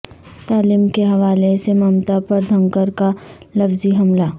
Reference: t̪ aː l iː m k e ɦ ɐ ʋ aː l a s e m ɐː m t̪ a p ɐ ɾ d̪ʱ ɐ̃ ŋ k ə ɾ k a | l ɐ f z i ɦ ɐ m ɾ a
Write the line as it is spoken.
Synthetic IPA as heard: t̪ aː l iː m k e ɦ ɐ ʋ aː l e s e m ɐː m t̪ a p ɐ ɾ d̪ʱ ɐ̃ ŋ k ə ɾ k a | l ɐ f z i ɦ ɐ m l a